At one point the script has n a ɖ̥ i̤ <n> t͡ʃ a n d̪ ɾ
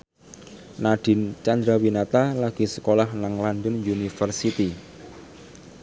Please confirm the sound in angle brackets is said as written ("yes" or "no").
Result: yes